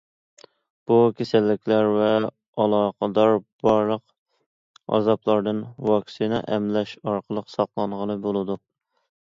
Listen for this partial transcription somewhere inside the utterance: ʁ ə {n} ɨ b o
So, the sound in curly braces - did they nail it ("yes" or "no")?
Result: yes